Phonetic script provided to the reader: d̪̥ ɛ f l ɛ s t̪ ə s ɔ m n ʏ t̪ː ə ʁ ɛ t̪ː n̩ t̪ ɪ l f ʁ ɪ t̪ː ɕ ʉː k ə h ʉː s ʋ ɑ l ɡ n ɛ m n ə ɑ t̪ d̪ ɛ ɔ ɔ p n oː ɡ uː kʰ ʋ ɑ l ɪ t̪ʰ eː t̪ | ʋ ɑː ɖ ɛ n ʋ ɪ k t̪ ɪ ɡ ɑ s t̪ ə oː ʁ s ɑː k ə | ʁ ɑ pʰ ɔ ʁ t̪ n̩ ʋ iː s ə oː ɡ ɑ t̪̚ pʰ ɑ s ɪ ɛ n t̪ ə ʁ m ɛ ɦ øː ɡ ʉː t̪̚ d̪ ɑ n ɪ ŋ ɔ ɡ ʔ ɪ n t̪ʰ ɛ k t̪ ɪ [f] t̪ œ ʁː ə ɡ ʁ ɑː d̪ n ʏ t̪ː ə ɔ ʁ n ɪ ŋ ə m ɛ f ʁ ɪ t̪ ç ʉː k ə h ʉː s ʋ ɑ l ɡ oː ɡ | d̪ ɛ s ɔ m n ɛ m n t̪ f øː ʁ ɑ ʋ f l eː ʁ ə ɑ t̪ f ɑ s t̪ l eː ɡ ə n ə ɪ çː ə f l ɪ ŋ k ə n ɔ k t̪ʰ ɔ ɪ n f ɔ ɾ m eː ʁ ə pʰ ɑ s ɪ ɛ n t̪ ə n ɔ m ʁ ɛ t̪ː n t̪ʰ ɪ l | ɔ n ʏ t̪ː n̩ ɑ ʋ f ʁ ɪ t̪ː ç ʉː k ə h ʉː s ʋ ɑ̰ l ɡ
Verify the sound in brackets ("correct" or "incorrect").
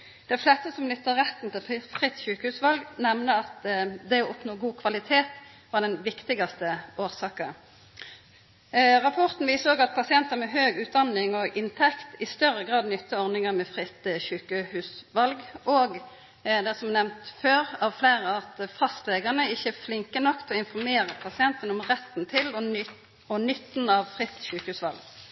incorrect